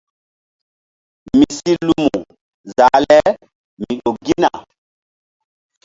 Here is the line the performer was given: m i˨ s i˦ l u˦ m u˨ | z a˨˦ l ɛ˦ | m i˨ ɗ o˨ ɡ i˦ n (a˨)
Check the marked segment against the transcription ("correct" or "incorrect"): correct